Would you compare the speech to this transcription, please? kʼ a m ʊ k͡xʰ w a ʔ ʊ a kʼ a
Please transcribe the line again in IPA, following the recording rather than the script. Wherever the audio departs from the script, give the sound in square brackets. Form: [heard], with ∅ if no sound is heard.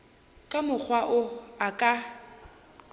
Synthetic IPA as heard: kʼ a m ʊ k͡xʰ w a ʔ ʊ a kʼ a